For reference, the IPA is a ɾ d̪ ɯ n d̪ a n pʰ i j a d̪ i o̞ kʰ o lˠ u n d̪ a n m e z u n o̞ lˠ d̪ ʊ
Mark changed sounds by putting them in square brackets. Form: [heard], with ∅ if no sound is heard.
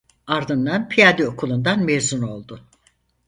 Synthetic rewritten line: a ɾ d̪ ɯ n d̪ a n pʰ i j a d̪ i o̞ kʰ [u] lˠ u n d̪ a n m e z u n o̞ lˠ d̪ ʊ